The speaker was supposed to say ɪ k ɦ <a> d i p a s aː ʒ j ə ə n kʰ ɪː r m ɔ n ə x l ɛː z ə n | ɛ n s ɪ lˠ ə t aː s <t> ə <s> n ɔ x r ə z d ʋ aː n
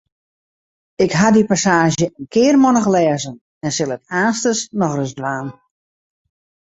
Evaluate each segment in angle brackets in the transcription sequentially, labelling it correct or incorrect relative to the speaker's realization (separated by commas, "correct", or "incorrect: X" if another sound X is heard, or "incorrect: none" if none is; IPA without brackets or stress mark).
correct, correct, correct